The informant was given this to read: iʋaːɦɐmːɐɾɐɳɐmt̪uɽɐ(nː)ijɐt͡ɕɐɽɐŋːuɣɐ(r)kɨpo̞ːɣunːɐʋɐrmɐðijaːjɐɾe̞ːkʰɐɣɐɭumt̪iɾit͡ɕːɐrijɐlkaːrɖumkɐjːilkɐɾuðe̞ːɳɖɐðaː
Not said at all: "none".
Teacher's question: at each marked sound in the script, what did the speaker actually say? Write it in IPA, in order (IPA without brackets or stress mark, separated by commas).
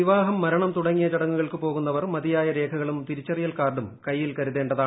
ŋː, ɭ